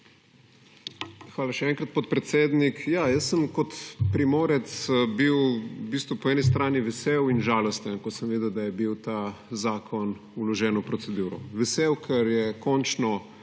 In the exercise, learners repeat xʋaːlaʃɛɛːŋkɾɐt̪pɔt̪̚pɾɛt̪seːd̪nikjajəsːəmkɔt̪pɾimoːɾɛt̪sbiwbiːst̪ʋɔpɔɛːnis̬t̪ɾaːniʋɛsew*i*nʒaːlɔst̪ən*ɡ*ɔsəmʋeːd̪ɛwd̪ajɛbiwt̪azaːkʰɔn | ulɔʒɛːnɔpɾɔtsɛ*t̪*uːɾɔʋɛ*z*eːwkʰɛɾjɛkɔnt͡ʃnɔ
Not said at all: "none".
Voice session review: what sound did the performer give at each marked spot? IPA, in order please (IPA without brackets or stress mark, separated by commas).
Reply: i, k, d̪, s